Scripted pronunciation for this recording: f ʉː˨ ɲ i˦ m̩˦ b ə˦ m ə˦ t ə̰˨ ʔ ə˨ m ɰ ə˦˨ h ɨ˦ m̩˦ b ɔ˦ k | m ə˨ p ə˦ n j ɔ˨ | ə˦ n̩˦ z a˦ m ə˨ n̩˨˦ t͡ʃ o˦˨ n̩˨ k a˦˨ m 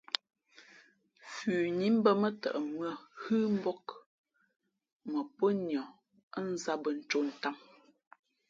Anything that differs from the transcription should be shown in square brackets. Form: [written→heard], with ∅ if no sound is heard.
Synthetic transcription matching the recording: f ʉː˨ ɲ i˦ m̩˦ b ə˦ m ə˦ t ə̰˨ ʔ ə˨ m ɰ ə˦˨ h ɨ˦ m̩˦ b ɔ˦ k | m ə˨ p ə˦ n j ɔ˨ | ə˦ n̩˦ z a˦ [m→b] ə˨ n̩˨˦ t͡ʃ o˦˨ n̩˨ [k→t] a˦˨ m